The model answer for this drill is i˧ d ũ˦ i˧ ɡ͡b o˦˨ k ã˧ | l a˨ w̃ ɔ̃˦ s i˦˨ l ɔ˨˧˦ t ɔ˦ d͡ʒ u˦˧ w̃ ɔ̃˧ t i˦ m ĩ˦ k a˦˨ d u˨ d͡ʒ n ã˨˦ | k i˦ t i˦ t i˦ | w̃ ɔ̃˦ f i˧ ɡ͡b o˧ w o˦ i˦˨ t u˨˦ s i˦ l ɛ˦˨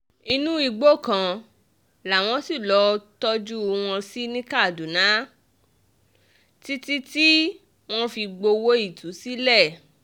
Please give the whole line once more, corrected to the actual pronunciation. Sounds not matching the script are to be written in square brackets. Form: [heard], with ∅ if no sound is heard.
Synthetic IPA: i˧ [n] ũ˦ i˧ ɡ͡b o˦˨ k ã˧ | l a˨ w̃ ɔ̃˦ s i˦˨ l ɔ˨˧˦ t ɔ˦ d͡ʒ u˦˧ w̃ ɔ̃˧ [s] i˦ [n] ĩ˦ k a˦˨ d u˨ [∅] n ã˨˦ | [t] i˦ t i˦ t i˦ | w̃ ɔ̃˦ f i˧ ɡ͡b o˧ w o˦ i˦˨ t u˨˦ s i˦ l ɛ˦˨